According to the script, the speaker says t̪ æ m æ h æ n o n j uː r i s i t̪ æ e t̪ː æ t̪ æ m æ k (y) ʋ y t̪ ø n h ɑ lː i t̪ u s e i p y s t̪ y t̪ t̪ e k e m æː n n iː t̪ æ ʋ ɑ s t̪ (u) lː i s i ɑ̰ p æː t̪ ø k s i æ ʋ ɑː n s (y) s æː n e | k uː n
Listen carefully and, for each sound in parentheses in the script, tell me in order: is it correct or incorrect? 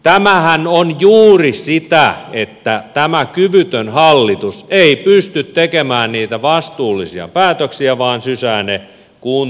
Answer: correct, incorrect, correct

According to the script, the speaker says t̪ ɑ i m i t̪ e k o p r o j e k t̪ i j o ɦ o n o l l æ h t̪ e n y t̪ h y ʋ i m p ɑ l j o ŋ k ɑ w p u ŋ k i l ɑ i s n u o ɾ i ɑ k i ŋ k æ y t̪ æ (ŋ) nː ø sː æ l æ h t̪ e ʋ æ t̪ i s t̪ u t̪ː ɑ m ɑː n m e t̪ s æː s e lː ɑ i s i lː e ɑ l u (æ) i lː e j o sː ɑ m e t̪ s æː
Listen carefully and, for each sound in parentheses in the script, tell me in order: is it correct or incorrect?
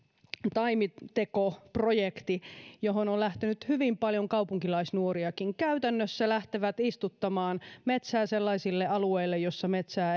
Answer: incorrect, incorrect

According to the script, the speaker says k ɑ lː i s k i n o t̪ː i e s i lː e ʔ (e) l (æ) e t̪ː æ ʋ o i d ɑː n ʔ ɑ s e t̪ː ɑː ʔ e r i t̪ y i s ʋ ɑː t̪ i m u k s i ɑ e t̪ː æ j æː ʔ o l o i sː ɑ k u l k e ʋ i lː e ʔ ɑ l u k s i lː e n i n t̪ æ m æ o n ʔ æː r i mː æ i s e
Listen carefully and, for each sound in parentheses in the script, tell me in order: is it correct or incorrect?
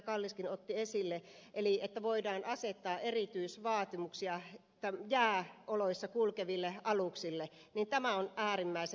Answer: correct, incorrect

